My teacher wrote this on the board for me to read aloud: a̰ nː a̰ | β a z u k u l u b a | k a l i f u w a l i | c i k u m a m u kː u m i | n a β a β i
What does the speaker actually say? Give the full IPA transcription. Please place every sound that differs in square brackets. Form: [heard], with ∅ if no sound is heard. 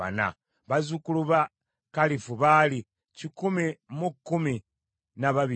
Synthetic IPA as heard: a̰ [n] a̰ | β a z u k u l u [β] a | k a l i f u [β] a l i | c i k u m [i] m u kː u m i | n a β a β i